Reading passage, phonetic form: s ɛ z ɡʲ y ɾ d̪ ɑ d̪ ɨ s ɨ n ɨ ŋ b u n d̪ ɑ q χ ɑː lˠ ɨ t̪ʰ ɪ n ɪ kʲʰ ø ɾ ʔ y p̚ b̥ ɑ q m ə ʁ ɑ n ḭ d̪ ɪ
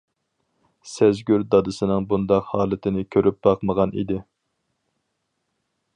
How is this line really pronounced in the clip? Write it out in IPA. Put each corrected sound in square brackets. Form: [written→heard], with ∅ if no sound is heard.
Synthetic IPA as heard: s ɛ z ɡʲ y ɾ d̪ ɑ d̪ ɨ s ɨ n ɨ ŋ b u n d̪ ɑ q [χ→h] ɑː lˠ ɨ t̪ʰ ɪ n ɪ kʲʰ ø ɾ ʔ y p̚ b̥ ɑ q m ə ʁ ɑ n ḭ d̪ ɪ